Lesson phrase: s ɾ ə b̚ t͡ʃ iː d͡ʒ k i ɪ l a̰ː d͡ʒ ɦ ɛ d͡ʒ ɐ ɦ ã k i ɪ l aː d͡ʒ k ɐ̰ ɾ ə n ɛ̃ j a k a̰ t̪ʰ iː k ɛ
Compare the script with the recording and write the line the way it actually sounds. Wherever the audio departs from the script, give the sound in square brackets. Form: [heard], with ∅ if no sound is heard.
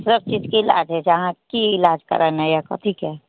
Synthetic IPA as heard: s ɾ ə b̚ t͡ʃ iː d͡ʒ k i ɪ l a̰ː d͡ʒ ɦ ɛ d͡ʒ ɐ ɦ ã k i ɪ l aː d͡ʒ k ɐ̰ ɾ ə n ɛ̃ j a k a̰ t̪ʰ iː k ɛ